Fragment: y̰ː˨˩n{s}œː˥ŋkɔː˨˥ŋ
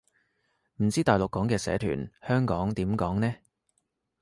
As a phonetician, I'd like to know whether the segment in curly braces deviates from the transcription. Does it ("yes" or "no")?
yes